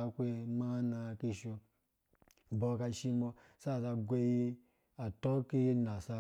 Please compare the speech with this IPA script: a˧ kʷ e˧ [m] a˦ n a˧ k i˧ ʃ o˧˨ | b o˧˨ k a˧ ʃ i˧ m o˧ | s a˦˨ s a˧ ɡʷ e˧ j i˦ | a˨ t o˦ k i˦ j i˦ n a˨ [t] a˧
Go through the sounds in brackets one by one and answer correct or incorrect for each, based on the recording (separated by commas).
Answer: correct, incorrect